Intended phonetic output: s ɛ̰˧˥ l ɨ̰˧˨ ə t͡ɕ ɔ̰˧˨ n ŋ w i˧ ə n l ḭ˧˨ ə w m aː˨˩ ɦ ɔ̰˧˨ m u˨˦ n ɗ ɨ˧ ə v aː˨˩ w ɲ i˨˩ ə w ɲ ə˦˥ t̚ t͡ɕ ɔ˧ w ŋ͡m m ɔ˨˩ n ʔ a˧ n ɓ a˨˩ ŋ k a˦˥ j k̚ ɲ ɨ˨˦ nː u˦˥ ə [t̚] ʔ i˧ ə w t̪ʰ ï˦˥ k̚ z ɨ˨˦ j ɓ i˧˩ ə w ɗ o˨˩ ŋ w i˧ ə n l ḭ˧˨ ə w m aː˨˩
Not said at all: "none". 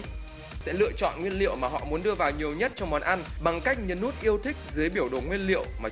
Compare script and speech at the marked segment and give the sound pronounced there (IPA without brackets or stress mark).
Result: t̚